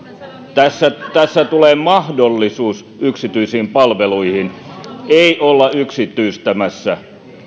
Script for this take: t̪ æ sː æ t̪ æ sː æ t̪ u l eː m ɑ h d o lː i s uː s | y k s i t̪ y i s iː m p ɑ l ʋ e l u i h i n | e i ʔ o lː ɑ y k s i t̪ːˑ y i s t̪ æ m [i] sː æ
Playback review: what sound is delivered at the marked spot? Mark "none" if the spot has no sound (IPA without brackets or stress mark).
æ